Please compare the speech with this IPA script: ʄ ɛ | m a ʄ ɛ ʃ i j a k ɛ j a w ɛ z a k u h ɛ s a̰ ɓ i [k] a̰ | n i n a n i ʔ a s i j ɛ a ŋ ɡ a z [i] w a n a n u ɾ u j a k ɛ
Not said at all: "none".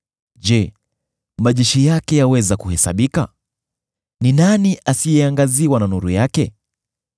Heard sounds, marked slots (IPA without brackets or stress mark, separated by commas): k, i